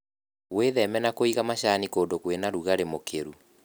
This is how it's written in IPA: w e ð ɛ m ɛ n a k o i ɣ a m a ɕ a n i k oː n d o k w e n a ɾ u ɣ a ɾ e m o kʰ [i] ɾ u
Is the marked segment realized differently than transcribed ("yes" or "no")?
yes